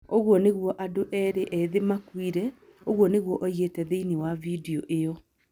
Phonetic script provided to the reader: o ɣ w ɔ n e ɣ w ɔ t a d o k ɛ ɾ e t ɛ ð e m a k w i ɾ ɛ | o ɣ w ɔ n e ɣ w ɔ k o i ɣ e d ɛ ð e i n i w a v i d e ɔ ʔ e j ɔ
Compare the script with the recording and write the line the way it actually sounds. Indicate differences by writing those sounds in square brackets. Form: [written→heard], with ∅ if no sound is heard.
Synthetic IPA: o ɣ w ɔ n e ɣ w ɔ [t→ʔ] a d o [k→ʔ] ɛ ɾ e [t→ʔ] ɛ ð e m a k w i ɾ ɛ | o ɣ w ɔ n e ɣ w ɔ [k→ʔ] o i ɣ e [d→t] ɛ ð e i n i w a v i d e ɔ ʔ e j ɔ